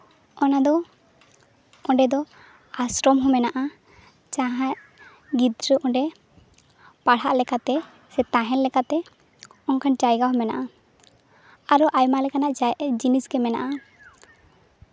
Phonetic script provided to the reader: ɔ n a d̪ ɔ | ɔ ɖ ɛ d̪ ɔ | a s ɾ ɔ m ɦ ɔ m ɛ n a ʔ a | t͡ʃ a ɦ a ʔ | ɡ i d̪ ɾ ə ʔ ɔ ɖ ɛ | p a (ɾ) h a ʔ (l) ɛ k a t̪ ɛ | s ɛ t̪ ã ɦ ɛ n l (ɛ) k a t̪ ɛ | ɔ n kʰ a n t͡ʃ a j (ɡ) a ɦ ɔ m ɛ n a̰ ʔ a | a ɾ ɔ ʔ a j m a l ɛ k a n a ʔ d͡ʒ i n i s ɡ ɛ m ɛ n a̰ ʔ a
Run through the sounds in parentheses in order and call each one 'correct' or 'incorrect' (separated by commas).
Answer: incorrect, correct, correct, correct